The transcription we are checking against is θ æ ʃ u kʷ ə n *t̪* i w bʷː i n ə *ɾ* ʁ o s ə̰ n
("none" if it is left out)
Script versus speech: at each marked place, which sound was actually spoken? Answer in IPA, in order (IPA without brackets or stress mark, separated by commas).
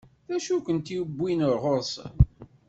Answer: t̪, ɾ